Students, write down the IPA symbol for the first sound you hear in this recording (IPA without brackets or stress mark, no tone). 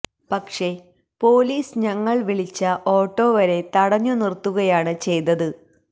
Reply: p